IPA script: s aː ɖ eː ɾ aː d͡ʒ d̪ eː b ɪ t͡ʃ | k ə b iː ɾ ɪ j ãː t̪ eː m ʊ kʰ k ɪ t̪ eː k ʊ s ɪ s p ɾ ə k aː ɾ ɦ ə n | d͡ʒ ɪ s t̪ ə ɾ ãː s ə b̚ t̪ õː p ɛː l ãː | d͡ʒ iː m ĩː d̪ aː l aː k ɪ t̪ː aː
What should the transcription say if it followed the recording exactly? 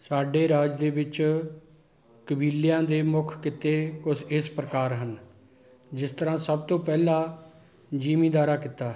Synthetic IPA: s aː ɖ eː ɾ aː d͡ʒ d̪ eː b ɪ t͡ʃ | k ə b iː l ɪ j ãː d̪ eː m ʊ kʰ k ɪ t̪ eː k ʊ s ɪ s p ɾ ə k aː ɾ ɦ ə n | d͡ʒ ɪ s t̪ ə ɾ ãː s ə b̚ t̪ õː p ɛː l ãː | d͡ʒ iː m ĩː d̪ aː ɾ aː k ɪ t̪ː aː